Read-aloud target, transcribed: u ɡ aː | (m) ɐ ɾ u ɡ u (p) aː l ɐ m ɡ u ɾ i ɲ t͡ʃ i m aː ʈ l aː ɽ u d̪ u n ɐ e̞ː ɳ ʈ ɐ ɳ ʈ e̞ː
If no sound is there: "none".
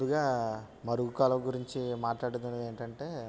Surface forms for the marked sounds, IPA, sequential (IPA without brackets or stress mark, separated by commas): m, k